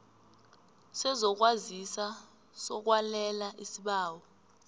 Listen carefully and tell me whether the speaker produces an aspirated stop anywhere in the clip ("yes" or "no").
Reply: no